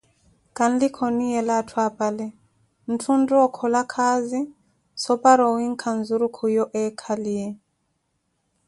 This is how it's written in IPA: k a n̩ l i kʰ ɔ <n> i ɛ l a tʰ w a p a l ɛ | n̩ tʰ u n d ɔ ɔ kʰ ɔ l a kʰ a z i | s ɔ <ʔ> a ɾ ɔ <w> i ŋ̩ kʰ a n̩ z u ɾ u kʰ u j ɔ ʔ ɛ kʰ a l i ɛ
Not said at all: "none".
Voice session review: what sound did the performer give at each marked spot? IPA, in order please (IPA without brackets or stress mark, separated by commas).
n, p, w